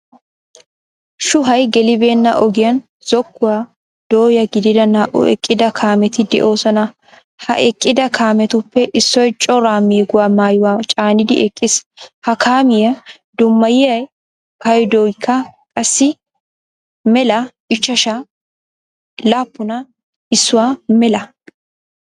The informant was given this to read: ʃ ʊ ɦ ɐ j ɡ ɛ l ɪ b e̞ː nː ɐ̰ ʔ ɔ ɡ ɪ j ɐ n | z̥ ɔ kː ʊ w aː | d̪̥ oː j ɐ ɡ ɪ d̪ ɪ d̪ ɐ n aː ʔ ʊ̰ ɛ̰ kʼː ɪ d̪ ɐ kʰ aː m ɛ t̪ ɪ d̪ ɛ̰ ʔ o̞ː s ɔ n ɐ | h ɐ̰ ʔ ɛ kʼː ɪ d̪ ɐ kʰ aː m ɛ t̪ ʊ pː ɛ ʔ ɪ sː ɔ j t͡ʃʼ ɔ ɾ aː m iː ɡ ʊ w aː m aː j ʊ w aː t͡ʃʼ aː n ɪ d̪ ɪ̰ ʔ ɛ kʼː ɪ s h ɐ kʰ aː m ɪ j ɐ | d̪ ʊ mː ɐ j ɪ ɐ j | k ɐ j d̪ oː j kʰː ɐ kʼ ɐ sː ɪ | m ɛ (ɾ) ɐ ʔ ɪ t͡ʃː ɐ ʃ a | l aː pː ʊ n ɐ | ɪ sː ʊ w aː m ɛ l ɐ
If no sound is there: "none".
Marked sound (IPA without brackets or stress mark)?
l